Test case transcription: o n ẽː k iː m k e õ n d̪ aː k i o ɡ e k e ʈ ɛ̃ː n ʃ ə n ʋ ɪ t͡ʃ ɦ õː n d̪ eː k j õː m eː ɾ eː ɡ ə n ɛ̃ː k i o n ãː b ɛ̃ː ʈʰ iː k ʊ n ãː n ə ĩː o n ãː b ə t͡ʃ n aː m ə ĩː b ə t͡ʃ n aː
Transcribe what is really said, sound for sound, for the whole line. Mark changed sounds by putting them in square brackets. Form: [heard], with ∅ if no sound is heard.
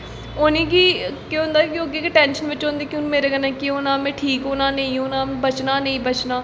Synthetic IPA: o n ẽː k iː [∅] k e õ n d̪ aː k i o ɡ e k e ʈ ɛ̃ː n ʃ ə n ʋ ɪ t͡ʃ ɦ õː n d̪ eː k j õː m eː ɾ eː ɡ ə n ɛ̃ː k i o n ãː [m] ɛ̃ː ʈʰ iː k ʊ n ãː n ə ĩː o n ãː b ə t͡ʃ n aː [n] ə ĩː b ə t͡ʃ n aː